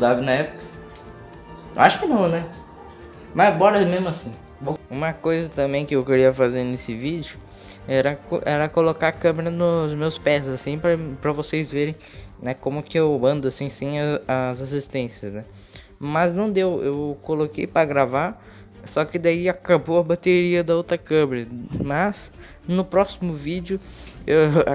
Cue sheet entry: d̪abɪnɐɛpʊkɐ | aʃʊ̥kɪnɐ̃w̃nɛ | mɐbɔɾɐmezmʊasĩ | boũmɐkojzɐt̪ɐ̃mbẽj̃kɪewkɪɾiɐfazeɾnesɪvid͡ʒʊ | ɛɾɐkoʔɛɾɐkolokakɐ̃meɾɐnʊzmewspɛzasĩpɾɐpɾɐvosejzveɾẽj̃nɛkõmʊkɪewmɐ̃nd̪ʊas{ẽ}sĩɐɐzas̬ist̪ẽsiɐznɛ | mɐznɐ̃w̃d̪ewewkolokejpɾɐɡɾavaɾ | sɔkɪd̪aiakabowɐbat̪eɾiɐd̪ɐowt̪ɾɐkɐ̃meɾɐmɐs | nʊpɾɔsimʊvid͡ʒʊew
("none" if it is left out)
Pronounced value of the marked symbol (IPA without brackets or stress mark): ĩ